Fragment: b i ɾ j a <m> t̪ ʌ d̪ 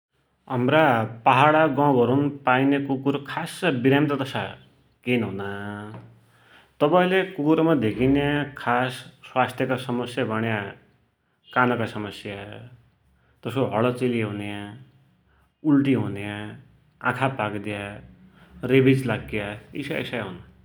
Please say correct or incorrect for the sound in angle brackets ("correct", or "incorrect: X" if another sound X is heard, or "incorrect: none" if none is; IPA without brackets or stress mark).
correct